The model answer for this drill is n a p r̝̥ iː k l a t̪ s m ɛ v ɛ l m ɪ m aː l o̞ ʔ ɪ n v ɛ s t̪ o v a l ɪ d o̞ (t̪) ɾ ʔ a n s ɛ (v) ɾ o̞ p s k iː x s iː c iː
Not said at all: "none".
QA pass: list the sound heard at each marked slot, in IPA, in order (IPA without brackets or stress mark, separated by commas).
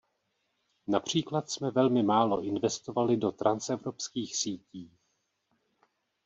t̪, v